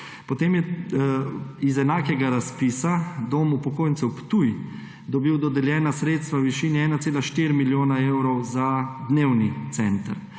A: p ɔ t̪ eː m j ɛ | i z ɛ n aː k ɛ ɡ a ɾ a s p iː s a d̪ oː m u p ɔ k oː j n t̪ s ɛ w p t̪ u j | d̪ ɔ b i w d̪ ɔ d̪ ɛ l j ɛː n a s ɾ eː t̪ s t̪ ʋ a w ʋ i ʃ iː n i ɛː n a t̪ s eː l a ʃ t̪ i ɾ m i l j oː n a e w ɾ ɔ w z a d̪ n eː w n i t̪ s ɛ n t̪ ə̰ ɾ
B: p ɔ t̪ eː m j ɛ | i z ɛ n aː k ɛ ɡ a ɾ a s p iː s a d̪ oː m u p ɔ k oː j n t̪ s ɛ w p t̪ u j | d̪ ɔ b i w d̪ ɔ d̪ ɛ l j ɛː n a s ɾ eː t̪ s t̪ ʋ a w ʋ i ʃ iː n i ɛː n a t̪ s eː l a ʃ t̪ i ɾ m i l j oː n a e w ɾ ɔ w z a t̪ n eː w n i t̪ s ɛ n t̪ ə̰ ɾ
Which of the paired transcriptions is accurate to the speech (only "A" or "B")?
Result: A